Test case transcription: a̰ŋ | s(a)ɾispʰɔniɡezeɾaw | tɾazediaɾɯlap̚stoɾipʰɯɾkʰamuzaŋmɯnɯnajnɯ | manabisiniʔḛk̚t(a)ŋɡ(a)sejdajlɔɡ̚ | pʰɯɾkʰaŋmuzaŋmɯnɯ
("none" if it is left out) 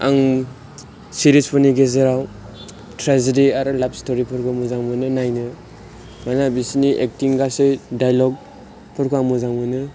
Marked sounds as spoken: i, i, a

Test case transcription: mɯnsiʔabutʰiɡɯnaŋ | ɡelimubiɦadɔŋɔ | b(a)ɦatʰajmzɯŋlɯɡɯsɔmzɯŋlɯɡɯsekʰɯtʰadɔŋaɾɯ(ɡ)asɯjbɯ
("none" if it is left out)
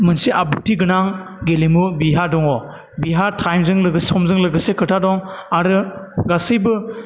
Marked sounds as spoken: i, ɡ

